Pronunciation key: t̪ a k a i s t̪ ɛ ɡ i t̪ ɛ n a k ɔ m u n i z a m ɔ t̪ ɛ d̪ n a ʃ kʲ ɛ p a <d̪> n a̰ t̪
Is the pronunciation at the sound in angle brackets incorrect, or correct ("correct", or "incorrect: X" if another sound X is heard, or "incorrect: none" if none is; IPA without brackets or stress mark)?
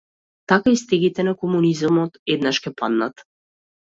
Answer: correct